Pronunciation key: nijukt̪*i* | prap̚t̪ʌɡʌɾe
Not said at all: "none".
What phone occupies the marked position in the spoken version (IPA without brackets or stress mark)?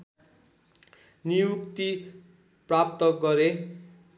i